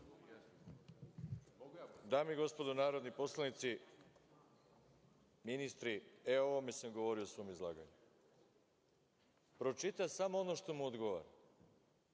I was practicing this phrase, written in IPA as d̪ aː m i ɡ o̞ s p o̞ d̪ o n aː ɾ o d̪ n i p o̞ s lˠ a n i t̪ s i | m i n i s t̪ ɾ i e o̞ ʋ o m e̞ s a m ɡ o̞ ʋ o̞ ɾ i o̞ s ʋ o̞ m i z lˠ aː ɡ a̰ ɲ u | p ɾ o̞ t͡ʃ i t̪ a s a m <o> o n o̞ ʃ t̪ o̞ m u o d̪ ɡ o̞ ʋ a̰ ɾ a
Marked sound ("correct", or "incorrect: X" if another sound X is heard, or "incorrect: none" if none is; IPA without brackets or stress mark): correct